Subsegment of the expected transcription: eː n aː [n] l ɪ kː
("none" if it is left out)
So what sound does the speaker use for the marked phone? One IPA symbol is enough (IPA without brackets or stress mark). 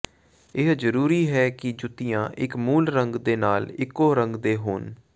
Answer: none